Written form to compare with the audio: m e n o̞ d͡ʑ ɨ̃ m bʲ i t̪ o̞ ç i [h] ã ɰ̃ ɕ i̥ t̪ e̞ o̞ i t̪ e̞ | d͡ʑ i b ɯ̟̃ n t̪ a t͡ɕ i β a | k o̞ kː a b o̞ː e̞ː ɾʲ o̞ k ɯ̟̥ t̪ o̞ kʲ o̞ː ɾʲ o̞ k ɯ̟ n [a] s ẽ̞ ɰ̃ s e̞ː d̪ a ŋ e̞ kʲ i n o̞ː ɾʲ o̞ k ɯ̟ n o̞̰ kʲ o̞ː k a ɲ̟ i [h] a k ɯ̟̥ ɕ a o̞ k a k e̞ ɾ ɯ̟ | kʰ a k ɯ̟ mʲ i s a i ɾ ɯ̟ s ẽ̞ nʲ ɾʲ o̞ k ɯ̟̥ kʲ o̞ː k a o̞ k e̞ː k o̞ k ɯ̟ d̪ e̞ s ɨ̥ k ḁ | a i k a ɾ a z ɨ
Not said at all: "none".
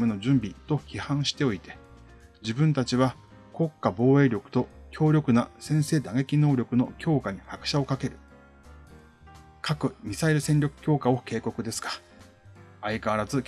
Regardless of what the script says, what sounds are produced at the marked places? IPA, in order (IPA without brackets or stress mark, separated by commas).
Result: h, a, h